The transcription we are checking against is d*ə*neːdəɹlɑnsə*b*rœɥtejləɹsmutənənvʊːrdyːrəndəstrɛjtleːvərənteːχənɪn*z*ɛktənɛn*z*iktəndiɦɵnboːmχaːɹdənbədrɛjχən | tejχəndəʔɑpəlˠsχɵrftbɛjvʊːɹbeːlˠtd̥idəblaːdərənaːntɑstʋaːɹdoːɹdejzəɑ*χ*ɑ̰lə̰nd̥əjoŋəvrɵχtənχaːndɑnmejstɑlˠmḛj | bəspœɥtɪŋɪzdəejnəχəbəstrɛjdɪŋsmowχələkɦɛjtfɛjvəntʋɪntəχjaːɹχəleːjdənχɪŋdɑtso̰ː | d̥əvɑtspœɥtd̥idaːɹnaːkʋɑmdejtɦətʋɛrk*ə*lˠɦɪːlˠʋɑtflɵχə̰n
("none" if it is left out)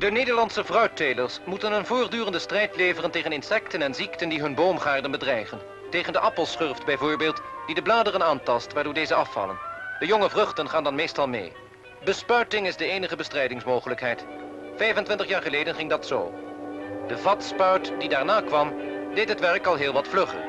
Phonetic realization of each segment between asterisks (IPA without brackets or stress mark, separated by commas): ə, v, s, z, f, ɑ